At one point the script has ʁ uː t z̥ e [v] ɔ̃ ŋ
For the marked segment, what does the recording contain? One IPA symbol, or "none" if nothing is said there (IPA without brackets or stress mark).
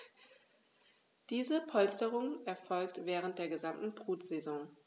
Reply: z